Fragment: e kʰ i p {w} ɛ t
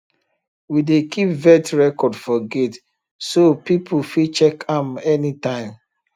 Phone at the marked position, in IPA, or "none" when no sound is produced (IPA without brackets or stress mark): v